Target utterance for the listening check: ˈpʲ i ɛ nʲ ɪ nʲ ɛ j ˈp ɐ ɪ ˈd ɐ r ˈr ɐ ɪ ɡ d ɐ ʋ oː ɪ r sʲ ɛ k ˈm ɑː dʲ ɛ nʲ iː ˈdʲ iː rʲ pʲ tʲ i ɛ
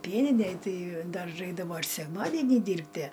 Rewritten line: ˈpʲ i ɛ nʲ ɪ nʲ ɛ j ˈt ɐ ɪ ˈd ɐ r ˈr ɐ ɪ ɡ d ɐ ʋ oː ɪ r sʲ ɛ k ˈm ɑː dʲ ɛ nʲ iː ˈdʲ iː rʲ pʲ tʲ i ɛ